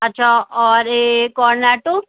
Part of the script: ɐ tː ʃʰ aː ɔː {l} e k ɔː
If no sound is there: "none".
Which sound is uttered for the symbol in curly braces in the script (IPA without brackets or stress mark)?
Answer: ɾ